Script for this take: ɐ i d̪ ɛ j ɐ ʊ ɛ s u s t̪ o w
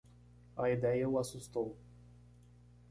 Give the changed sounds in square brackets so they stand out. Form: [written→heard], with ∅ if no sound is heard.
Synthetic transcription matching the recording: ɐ i d̪ ɛ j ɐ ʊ [ɛ→a] s u s t̪ o w